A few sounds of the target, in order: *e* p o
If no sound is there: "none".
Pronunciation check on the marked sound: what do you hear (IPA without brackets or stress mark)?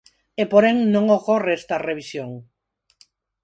e